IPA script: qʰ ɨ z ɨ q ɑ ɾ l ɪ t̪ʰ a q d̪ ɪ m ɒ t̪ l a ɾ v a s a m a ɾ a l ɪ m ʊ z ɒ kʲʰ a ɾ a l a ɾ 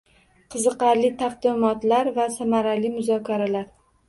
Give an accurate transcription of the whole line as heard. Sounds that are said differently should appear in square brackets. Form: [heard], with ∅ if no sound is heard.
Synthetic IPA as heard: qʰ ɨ z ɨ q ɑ ɾ l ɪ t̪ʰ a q d̪ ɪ m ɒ t̪ l a ɾ v a s a m a ɾ a l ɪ m ʊ z ɒ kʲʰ a ɾ a l a ɾ

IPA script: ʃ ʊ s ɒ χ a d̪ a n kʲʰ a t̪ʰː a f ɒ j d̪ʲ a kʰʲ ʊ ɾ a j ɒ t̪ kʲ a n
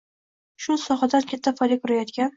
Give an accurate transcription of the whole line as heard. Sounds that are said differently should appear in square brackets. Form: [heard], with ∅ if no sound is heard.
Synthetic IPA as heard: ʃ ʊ s ɒ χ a d̪ a n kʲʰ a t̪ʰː a f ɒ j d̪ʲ a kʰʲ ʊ ɾ a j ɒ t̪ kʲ a n

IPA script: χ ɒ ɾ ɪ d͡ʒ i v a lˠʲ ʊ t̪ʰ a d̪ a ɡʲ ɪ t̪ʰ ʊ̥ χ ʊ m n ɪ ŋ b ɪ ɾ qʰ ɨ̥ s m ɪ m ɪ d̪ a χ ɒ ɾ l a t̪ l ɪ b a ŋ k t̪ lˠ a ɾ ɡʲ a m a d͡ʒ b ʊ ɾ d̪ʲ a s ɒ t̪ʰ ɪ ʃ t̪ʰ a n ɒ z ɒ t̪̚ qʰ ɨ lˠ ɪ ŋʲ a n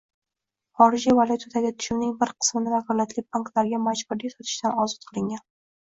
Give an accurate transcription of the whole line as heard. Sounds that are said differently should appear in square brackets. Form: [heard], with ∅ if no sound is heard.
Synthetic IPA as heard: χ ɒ ɾ ɪ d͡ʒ i v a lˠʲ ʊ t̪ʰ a d̪ a ɡʲ ɪ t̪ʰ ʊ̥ [ʃ] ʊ m n ɪ ŋ b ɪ ɾ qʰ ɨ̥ s m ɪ [n] ɪ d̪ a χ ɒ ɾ l a t̪ l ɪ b a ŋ k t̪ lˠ a ɾ ɡʲ a m a d͡ʒ b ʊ ɾ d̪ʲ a s ɒ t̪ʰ ɪ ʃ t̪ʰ a n ɒ z ɒ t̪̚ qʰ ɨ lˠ ɪ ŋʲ a n

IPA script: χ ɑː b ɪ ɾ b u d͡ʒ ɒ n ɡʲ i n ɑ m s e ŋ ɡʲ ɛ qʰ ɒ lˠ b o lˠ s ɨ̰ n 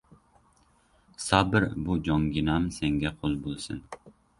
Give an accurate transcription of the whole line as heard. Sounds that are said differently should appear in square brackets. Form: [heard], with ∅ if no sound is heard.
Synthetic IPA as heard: [s] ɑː b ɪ ɾ b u d͡ʒ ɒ [ŋ] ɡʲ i n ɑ m s e ŋ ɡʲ ɛ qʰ [o] lˠ b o lˠ s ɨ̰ n

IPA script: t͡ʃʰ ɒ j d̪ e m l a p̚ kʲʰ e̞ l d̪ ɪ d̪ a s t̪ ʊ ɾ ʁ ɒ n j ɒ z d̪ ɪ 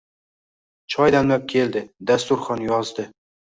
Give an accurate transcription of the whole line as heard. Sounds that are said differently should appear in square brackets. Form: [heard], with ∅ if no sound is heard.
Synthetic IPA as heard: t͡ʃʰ ɒ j d̪ [a] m l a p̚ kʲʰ e̞ l d̪ ɪ d̪ a s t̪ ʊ ɾ [χ] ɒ n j ɒ z d̪ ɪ

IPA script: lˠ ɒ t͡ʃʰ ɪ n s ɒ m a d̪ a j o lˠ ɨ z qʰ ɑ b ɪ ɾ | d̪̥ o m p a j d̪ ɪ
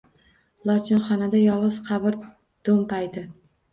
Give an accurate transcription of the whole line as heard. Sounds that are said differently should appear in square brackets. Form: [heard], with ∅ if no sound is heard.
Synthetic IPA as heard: lˠ ɒ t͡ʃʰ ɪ n [χ] ɒ [n] a d̪ a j [ɒ] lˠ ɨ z qʰ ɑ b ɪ ɾ | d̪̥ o m p a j d̪ ɪ

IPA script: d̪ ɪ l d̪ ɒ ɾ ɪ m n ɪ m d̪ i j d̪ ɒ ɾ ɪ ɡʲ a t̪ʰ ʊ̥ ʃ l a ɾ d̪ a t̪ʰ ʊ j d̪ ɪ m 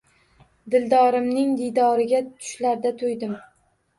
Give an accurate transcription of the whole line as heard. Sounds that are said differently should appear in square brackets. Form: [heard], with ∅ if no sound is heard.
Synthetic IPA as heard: d̪ ɪ l d̪ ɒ ɾ ɪ m n ɪ [ŋ] d̪ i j d̪ ɒ ɾ ɪ ɡʲ a t̪ʰ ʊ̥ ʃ l a ɾ d̪ a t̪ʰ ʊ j d̪ ɪ m

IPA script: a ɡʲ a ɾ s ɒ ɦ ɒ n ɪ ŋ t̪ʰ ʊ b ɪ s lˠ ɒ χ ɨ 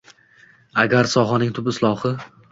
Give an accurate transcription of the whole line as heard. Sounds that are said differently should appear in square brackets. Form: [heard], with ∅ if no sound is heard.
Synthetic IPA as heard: a ɡʲ a ɾ s ɒ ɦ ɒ n ɪ ŋ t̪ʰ ʊ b ɪ s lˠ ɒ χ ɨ

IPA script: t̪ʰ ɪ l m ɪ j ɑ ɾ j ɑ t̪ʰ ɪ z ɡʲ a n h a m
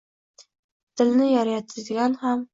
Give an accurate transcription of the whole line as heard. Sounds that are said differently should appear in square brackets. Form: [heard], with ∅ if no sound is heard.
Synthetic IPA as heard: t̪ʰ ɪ l [n] ɪ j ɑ ɾ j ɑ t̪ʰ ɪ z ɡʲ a n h a m

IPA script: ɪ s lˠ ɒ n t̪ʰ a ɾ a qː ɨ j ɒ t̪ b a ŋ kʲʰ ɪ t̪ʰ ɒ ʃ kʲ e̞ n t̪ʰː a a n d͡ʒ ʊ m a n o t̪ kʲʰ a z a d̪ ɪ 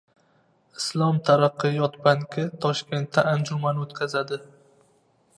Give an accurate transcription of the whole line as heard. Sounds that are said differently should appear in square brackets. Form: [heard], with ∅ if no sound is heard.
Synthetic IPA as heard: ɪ s lˠ ɒ [m] t̪ʰ a ɾ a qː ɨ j ɒ t̪ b a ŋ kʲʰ ɪ t̪ʰ ɒ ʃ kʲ e̞ n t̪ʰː a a n d͡ʒ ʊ m a n o t̪ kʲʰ a z a d̪ ɪ

